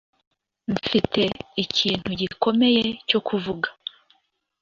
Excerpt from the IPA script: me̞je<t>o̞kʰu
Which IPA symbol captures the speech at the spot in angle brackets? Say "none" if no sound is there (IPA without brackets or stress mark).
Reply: c